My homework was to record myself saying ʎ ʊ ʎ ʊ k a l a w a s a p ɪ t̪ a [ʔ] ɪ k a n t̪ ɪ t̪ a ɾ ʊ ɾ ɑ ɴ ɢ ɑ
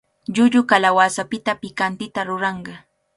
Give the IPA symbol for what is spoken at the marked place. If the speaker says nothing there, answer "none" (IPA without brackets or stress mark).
p